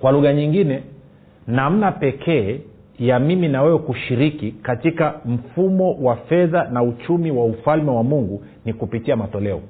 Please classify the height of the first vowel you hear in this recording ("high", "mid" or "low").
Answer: low